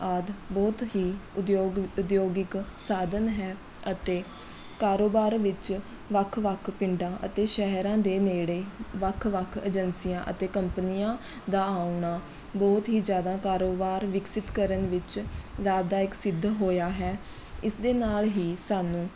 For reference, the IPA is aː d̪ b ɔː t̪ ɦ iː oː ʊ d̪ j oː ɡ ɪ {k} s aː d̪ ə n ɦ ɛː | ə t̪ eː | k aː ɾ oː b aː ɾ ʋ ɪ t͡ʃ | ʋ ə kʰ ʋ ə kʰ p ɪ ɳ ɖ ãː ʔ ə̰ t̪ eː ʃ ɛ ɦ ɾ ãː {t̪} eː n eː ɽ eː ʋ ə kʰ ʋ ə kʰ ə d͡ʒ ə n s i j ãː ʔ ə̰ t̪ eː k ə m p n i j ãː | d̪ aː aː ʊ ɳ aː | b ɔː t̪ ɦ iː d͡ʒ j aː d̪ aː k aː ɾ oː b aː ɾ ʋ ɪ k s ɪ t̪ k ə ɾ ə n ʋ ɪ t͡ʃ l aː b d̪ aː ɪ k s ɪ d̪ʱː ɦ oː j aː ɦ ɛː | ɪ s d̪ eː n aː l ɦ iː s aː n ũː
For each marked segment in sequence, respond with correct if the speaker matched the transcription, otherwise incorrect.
correct, incorrect: d̪

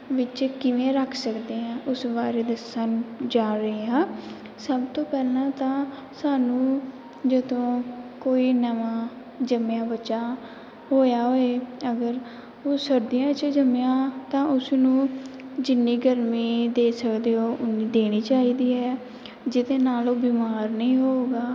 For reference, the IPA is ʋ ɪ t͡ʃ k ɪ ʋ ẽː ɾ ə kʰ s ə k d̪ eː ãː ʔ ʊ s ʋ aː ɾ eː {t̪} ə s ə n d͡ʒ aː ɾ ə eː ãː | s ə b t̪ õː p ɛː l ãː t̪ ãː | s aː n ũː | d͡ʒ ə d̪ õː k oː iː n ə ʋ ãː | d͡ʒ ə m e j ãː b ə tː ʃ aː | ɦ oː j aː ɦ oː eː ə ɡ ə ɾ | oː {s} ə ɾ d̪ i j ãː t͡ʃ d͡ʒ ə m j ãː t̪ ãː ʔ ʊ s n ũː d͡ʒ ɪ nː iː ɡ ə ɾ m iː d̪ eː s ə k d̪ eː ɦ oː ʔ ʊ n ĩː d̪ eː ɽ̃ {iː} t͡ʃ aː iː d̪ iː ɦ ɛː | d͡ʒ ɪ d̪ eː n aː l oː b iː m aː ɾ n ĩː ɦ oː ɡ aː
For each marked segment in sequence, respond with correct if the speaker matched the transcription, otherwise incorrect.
incorrect: d̪, correct, correct

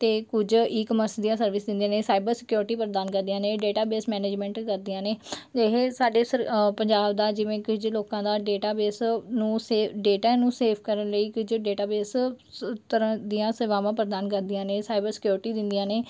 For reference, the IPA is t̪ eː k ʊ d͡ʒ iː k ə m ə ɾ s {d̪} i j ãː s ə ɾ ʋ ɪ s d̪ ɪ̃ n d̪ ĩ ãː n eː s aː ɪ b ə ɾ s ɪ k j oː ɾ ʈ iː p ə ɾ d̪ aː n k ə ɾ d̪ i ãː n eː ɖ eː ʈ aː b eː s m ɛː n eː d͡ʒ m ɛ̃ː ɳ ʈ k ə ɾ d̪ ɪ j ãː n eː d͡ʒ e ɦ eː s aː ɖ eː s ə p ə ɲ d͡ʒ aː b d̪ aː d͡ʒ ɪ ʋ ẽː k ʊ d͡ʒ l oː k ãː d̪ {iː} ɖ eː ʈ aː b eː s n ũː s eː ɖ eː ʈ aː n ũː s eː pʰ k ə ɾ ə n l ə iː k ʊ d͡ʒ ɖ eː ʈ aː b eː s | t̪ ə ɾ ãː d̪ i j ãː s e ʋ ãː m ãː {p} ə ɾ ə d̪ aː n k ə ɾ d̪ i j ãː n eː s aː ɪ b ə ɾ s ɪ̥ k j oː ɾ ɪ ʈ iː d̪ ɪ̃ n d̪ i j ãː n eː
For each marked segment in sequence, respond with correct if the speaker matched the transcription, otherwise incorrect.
correct, incorrect: aː, correct

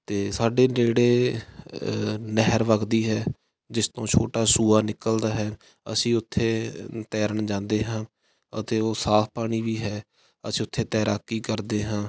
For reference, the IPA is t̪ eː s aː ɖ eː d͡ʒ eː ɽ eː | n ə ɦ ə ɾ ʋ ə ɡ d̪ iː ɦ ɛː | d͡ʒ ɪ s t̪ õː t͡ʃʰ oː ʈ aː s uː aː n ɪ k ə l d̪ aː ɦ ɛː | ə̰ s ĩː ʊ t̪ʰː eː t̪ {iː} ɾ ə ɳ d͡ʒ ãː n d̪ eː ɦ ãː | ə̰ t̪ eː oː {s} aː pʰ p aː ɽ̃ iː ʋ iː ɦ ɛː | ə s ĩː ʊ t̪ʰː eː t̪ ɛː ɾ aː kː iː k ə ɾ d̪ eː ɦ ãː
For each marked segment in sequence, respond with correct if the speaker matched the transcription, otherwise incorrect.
incorrect: ɛː, correct

